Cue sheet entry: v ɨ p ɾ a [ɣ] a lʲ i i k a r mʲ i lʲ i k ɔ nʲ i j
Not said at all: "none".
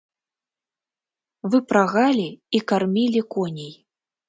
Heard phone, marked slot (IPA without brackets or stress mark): ɣ